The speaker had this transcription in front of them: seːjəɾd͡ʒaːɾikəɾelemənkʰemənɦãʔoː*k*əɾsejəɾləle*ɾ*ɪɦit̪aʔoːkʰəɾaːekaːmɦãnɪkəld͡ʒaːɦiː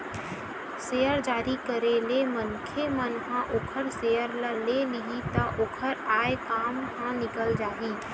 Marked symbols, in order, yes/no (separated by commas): no, no